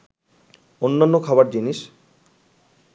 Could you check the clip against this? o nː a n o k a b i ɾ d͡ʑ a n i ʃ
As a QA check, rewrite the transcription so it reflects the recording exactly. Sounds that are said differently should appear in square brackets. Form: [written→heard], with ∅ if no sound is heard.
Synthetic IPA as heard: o nː a [n→nː] o [k→kʰ] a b [i→a] ɾ d͡ʑ [a→i] n i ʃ